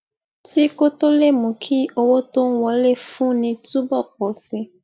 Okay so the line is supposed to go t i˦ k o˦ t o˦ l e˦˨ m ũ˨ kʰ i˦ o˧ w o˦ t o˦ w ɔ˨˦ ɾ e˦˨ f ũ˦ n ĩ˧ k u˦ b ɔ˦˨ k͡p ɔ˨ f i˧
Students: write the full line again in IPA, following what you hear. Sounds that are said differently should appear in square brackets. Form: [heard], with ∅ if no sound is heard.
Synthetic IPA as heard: t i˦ k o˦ t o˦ l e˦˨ m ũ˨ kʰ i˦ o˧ w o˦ t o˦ w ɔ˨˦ [l] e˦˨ f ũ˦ n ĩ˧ [t] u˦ b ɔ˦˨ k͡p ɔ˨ [s] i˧